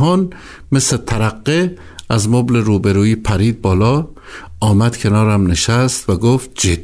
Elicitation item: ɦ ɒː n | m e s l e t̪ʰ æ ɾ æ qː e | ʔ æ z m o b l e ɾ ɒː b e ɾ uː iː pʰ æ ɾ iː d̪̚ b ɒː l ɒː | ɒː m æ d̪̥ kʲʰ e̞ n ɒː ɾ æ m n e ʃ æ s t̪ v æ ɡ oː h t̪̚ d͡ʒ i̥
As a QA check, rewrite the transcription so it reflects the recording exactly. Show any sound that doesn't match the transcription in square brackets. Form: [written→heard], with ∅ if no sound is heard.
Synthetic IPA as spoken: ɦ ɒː n | m e s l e t̪ʰ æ ɾ æ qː e | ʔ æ z m o b l e ɾ [ɒː→uː] b e ɾ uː iː pʰ æ ɾ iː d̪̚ b ɒː l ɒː | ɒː m æ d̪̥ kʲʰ e̞ n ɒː ɾ æ m n e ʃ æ s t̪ v æ ɡ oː [h→f] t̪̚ d͡ʒ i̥